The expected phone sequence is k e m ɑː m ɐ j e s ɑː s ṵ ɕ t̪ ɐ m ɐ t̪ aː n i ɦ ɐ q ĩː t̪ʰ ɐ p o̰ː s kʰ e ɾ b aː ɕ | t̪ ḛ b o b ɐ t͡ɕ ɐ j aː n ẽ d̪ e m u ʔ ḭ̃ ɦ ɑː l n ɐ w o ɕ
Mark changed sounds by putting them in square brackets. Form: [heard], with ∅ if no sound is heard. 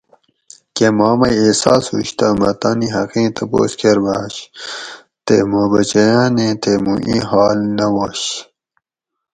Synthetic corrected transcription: k e m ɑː m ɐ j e s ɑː s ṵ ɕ t̪ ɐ m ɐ t̪ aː n i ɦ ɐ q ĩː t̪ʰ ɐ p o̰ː s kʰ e ɾ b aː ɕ | t̪ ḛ [m] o b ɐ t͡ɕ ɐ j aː n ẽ [t̪] e m u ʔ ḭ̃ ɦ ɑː l n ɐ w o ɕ

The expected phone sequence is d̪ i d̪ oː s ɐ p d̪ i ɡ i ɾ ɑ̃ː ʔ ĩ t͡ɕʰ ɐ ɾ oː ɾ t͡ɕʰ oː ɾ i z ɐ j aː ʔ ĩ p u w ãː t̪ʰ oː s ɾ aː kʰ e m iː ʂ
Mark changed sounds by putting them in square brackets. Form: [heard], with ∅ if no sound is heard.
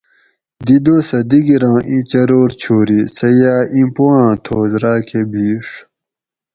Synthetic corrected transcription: d̪ i d̪ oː s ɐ [∅] d̪ i ɡ i ɾ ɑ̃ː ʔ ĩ [t͡ɕ] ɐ ɾ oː ɾ t͡ɕʰ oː ɾ i [s] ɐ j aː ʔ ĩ p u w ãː t̪ʰ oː [z] ɾ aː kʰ e [b] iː ʂ

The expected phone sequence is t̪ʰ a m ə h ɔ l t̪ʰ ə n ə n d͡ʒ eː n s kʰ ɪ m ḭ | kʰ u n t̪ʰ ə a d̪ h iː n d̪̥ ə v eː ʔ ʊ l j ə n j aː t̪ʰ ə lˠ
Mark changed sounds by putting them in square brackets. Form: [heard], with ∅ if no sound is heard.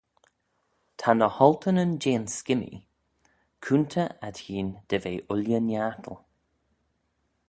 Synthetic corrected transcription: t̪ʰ a [n] ə h ɔ l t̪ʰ ə n ə n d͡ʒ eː n s [k] ɪ m ḭ | kʰ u n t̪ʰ ə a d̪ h iː n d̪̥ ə v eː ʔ ʊ l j ə n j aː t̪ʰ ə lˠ

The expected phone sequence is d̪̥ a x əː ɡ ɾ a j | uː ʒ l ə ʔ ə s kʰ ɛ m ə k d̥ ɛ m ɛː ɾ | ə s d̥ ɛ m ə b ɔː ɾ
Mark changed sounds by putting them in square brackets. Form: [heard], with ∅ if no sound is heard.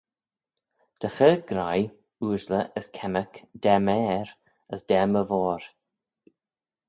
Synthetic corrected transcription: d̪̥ [ə] x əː ɡ ɾ a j | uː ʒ l ə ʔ ə s kʰ ɛ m ə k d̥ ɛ m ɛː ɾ | ə s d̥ ɛ m ə [v] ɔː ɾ

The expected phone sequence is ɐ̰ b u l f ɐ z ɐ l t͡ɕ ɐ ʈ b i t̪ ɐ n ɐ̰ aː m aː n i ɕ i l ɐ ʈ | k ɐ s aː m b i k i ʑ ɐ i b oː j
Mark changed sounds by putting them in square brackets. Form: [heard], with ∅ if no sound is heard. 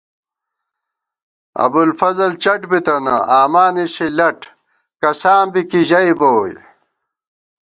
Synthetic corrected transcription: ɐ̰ b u l f ɐ z ɐ l t͡ɕ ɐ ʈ b i t̪ ɐ n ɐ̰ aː m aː n i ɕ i l ɐ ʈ | k ɐ s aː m b i k i ʑ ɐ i b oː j

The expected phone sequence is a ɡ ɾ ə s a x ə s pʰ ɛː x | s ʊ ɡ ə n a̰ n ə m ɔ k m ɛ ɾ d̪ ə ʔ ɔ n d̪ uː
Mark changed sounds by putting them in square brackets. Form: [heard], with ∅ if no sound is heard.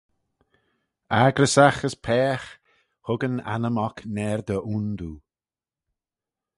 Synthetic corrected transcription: a ɡ ɾ ə s a x ə s pʰ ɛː x | [h] ʊ ɡ ə n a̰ n ə m ɔ k [n] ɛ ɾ d̪ ə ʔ [u] n d̪ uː

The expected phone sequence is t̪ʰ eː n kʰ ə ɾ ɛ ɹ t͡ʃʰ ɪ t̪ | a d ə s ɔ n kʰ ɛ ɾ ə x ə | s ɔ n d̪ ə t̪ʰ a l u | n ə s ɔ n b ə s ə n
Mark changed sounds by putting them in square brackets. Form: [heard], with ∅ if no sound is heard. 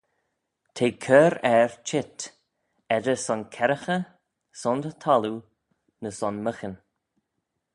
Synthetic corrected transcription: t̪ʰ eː [∅] kʰ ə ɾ ɛ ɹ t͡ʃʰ ɪ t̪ | [ɛ] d ə s ɔ n kʰ ɛ ɾ ə x ə | s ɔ n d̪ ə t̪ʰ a l u | n ə s ɔ n [m] ə [x] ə n

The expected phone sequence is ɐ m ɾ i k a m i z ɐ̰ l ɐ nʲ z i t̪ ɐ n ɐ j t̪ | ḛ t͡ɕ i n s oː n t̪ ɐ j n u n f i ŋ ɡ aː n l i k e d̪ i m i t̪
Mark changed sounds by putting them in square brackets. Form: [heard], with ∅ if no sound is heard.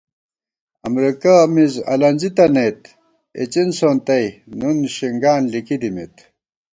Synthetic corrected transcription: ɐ m ɾ i k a m i z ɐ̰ l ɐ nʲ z i t̪ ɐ n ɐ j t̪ | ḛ t͡ɕ i n s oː n t̪ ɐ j n u n [ɕ] i ŋ ɡ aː n l i k [i] d̪ i m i t̪

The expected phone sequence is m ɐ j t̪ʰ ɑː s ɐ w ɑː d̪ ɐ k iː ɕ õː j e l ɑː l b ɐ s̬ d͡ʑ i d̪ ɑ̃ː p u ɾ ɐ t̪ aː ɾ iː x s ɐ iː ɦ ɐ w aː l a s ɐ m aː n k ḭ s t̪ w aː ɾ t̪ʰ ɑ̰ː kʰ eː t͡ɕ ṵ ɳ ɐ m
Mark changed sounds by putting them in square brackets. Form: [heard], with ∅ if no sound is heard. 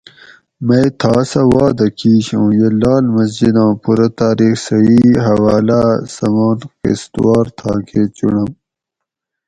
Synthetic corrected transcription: m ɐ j t̪ʰ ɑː s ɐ w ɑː d̪ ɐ k iː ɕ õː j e l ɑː l [m] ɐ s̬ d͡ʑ i d̪ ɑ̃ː p u ɾ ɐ t̪ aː ɾ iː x s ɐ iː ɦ ɐ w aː l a s ɐ m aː n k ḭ s t̪ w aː ɾ t̪ʰ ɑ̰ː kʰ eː t͡ɕ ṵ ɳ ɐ m

